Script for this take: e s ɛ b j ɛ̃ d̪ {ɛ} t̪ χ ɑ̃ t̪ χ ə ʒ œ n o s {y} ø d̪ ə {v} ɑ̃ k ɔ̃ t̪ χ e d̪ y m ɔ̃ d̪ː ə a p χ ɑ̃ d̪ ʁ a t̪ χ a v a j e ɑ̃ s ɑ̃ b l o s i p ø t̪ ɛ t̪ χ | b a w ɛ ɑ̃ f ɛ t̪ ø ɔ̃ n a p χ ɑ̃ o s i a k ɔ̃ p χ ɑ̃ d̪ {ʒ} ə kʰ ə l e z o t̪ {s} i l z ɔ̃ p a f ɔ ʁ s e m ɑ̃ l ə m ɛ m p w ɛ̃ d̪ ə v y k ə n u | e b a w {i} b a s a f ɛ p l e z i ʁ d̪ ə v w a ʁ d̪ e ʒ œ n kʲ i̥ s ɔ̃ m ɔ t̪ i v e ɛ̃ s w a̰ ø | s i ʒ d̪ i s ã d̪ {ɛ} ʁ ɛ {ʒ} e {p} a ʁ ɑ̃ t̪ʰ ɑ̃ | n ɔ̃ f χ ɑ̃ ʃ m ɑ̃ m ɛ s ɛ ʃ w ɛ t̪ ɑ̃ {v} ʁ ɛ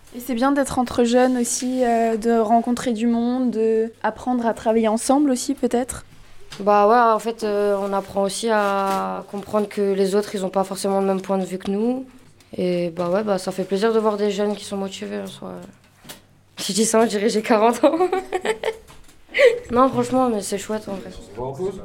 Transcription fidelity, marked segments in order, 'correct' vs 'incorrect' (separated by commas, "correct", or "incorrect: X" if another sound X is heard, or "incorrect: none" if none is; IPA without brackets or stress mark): correct, incorrect: i, incorrect: ʁ, incorrect: ʁ, incorrect: χ, incorrect: ɛ, incorrect: i, correct, incorrect: k, correct